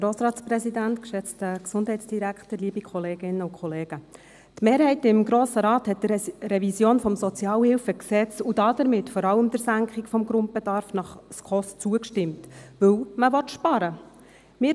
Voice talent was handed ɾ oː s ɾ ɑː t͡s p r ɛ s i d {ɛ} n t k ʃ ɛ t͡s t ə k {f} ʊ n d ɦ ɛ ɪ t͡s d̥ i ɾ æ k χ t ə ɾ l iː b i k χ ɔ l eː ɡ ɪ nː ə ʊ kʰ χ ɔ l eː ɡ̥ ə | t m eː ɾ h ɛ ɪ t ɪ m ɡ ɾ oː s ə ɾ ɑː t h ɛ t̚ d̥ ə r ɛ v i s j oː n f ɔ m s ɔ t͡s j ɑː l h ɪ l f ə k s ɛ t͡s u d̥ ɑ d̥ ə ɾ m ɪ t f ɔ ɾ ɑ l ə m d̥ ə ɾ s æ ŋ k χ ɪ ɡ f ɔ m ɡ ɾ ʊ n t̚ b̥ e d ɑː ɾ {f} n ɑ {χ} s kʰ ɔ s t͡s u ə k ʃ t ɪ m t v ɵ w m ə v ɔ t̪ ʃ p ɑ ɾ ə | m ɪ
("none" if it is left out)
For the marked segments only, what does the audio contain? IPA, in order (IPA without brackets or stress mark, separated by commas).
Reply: æ, s, f, χ